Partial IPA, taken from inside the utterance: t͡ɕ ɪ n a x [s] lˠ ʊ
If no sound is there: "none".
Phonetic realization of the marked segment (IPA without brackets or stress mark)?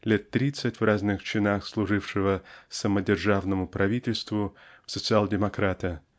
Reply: s